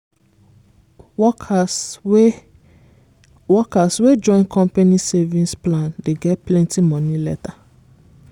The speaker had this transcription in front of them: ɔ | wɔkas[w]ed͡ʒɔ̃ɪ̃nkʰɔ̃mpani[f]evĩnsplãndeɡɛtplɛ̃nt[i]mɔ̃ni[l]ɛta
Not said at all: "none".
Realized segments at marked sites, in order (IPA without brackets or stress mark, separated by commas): w, s, i, l